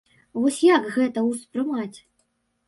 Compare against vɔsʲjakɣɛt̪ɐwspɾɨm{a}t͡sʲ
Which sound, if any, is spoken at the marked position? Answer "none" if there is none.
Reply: a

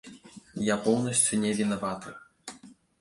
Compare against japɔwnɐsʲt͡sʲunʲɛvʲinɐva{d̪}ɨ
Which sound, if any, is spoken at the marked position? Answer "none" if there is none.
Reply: t̪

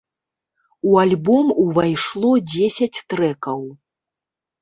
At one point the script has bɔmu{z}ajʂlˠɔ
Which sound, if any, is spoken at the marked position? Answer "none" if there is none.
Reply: v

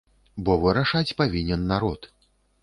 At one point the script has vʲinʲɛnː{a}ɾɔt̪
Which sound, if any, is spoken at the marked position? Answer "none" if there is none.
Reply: a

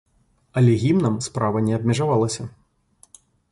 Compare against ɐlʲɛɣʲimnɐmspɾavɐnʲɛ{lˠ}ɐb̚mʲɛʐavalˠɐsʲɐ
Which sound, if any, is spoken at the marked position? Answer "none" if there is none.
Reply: none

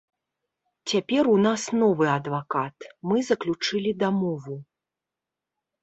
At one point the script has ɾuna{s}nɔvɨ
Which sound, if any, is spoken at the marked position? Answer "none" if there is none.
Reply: s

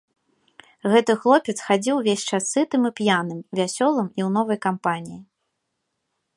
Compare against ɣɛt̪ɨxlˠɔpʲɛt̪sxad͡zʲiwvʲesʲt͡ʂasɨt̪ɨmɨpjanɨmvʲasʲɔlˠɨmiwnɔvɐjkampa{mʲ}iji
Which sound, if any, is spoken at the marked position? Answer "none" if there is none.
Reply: nʲ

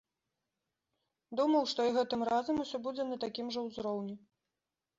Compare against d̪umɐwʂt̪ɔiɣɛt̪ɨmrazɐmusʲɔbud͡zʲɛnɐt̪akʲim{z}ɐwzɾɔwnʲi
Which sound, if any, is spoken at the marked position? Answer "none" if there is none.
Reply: ʐ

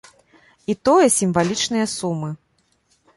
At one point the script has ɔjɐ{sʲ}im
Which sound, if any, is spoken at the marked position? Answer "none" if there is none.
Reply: sʲ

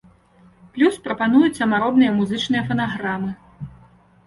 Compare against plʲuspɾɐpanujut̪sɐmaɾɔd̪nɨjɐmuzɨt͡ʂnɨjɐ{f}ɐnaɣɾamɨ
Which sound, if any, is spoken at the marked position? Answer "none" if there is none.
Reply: f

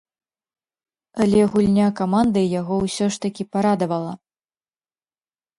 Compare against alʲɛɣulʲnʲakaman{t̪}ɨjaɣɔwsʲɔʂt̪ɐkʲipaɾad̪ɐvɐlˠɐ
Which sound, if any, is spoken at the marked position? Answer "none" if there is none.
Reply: d̪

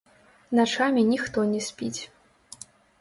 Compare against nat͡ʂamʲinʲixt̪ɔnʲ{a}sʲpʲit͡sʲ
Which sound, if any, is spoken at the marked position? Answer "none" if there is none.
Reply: ɛ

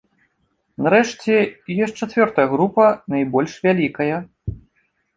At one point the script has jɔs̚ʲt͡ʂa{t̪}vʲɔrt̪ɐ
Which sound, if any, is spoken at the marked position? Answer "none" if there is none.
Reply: t̪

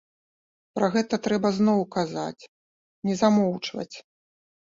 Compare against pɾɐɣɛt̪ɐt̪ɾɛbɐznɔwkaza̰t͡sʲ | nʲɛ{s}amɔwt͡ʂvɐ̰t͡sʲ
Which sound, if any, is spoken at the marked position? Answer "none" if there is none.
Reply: z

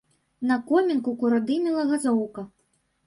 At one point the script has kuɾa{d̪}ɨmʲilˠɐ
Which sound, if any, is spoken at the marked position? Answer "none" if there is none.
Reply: d̪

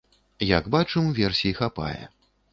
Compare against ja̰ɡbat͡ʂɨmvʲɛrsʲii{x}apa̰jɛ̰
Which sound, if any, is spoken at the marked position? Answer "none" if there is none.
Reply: x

